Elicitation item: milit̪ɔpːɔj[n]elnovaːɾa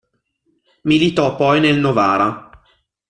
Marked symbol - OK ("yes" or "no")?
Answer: yes